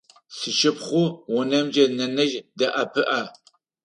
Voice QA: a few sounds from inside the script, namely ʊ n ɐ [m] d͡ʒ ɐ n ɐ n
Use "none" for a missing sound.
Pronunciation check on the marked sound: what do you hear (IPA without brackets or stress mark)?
m